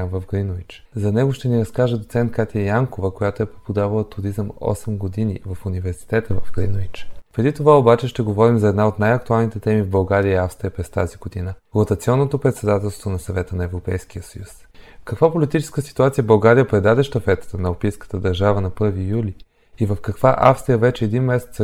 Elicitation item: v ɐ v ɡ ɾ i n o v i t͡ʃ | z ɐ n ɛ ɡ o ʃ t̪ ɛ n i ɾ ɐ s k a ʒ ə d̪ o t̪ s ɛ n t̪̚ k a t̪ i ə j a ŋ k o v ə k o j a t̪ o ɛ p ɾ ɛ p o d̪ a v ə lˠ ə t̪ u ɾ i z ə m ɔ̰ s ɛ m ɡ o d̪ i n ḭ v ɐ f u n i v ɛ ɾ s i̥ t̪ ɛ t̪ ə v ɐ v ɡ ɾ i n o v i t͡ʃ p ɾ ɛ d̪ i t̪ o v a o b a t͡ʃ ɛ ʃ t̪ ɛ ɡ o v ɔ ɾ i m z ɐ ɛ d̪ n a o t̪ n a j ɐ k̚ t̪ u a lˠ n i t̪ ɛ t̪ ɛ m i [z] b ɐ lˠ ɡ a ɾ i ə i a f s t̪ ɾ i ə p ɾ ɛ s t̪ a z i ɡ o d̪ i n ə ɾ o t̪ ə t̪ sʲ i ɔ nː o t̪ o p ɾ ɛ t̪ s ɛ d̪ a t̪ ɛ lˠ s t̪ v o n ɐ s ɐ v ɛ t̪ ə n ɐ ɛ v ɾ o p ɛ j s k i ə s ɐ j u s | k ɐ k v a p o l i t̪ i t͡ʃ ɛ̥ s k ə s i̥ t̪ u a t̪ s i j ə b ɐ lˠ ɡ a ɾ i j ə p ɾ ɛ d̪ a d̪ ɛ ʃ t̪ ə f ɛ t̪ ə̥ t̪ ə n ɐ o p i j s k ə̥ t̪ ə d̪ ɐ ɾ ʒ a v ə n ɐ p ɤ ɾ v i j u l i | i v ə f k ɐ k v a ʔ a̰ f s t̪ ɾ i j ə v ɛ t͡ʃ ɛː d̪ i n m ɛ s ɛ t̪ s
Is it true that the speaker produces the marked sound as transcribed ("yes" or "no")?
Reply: no